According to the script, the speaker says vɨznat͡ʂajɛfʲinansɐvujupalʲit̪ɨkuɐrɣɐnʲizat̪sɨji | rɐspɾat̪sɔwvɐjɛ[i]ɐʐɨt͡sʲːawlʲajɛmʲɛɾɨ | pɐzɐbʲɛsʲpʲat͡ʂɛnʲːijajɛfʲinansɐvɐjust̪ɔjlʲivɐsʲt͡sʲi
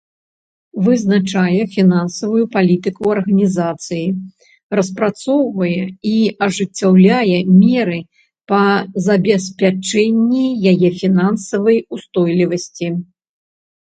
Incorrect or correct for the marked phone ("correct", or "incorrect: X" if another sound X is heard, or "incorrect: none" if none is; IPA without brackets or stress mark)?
correct